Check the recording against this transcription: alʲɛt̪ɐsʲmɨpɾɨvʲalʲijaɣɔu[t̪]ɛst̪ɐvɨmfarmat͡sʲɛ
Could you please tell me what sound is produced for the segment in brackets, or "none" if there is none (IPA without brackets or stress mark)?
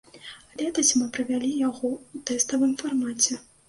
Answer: t̪